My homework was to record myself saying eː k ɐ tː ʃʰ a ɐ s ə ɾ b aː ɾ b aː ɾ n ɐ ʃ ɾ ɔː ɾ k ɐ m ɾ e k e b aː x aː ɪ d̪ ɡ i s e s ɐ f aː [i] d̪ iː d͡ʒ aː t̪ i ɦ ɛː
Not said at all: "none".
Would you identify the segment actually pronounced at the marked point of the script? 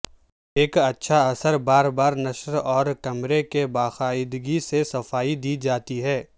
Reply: i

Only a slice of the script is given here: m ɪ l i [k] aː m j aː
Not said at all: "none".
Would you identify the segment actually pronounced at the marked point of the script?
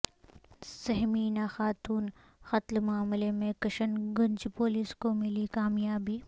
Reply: k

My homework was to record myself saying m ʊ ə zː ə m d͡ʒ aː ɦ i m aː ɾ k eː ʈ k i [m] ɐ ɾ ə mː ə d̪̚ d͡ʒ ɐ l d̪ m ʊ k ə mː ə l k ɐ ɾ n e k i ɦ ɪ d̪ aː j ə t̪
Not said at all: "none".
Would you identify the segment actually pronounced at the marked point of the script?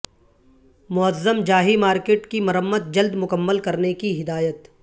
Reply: m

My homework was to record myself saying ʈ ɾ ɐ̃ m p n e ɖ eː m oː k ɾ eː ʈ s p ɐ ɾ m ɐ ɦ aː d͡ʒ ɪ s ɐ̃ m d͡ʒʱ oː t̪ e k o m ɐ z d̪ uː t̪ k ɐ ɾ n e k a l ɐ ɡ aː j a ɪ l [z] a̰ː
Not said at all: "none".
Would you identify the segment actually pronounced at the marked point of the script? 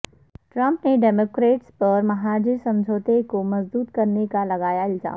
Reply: z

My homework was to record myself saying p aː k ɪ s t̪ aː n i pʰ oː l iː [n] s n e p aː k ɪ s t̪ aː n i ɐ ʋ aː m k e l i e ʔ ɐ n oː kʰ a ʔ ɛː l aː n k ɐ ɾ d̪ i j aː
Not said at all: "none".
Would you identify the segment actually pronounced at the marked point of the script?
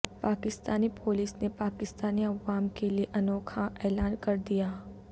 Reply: none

